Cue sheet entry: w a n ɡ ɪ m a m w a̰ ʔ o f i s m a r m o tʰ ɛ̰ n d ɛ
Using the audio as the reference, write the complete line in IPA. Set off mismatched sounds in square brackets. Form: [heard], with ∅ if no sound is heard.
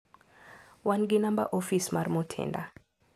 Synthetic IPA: w a n ɡ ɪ [n] a m [b] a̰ ʔ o f i s m a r m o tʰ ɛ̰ n d [a]